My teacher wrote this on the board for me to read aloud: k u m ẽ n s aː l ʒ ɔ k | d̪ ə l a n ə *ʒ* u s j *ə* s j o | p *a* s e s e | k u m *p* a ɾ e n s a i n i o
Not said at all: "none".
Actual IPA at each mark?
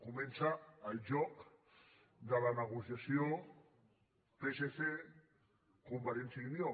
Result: ɣ, a, e, b

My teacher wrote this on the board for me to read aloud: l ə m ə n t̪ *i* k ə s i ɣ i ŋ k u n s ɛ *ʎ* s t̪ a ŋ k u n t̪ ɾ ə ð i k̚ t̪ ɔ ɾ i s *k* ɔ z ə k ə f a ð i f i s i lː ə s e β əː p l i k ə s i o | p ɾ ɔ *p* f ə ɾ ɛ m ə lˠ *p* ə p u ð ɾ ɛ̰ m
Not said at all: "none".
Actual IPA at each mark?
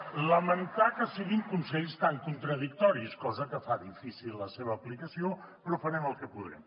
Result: a, ʎ, k, none, k

